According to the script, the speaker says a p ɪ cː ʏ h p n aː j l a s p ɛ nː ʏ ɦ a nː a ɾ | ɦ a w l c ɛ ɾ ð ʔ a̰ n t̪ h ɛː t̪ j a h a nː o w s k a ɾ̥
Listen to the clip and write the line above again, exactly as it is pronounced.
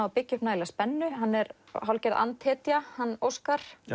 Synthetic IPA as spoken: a p ɪ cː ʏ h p n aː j l a s p ɛ nː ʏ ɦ a nː ɛ ɾ | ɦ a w l c ɛ ɾ ð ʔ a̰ n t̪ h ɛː t̪ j a h a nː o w s k a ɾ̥